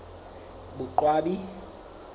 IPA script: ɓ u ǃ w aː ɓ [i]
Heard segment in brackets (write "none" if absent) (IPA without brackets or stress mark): i